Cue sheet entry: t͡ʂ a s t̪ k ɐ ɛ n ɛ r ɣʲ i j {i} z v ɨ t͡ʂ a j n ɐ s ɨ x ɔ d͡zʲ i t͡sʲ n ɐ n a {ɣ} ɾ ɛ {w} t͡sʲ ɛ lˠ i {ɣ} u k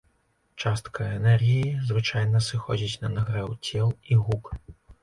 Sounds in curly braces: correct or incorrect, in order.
correct, correct, correct, correct

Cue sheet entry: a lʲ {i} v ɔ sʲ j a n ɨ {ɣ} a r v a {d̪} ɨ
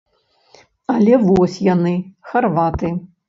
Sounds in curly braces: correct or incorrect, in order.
incorrect, incorrect, incorrect

